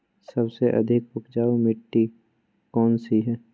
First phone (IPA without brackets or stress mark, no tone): s